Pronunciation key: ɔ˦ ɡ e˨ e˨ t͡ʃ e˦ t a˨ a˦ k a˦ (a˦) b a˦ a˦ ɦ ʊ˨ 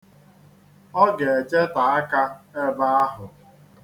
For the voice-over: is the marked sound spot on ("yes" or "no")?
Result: no